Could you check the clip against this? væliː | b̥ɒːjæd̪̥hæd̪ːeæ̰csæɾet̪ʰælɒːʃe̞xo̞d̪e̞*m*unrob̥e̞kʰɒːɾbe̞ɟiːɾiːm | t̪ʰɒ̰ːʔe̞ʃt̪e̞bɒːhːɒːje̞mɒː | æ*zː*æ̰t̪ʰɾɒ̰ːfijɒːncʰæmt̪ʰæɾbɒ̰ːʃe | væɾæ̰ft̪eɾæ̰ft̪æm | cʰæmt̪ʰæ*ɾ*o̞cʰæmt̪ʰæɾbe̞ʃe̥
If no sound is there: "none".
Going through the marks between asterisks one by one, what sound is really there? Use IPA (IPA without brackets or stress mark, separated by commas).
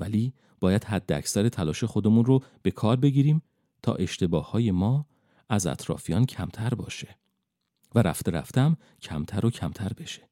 m, z, ɾ